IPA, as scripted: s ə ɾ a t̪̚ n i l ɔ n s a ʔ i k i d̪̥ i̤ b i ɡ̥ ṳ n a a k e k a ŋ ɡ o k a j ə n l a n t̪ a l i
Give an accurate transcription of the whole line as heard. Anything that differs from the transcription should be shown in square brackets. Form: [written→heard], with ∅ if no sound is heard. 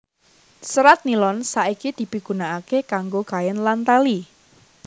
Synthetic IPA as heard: s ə ɾ a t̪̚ n i l ɔ n s a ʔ i k i d̪̥ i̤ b i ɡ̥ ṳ n a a k e k a ŋ ɡ o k a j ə n l a n t̪ a l i